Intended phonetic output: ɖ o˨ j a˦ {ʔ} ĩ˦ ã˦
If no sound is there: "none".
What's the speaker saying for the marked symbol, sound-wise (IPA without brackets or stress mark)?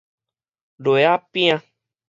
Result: p